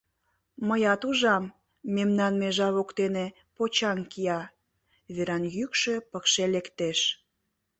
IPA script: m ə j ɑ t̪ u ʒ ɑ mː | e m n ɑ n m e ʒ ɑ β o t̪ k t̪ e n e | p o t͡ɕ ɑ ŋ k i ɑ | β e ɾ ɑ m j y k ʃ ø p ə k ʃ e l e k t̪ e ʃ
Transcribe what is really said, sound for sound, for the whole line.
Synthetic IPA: m ə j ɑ t̪ u ʒ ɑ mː | e m n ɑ n m e ʒ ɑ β o k t̪ e n e | p o t͡ɕ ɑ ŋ k i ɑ | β e ɾ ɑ n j y k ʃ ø p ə k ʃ e l e k t̪ e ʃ